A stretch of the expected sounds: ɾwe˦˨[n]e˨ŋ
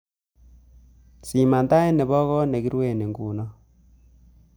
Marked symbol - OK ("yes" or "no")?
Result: yes